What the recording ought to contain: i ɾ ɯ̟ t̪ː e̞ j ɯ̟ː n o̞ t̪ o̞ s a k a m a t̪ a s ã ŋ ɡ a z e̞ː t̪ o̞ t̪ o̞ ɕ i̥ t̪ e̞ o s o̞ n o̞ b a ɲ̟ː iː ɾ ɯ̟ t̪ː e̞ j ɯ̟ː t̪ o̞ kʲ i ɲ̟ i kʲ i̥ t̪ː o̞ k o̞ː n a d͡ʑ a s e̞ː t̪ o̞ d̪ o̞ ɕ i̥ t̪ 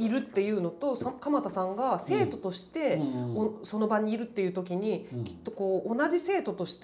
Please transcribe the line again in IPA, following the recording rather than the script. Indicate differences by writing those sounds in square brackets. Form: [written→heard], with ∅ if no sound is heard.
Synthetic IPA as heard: i ɾ ɯ̟ t̪ː e̞ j ɯ̟ː n o̞ t̪ o̞ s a k a m a t̪ a s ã ŋ ɡ a [z→s] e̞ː t̪ o̞ t̪ o̞ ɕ i̥ t̪ e̞ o s o̞ n o̞ b a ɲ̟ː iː ɾ ɯ̟ t̪ː e̞ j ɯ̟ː t̪ o̞ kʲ i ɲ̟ i kʲ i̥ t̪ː o̞ k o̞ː n a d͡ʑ [a→i] s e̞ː t̪ o̞ [d̪→t̪] o̞ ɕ i̥ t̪